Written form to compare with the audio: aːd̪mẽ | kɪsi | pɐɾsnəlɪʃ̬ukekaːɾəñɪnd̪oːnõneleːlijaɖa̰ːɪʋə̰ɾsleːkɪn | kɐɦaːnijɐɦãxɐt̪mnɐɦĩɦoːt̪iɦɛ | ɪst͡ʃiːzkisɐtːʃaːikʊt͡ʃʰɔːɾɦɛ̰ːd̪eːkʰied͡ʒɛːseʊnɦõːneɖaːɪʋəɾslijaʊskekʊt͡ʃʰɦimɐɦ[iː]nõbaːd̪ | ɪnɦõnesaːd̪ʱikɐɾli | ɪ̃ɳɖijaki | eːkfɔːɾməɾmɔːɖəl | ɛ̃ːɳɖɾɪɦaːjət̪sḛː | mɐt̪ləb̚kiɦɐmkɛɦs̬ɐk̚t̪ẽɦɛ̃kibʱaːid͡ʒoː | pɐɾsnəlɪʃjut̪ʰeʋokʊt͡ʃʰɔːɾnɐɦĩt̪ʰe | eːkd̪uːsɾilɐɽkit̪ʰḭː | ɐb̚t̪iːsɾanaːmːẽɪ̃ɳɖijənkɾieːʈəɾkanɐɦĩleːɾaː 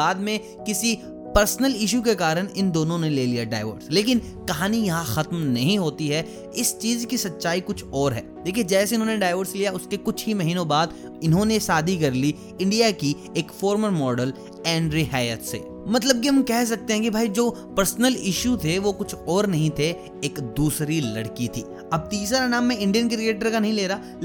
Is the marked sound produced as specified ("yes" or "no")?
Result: yes